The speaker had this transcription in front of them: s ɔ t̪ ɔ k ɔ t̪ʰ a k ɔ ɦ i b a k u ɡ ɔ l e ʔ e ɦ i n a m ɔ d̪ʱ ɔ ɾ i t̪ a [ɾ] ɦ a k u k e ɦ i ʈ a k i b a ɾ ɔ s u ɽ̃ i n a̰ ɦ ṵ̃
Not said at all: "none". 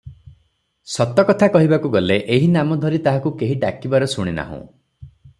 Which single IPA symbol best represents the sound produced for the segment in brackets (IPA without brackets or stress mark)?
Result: none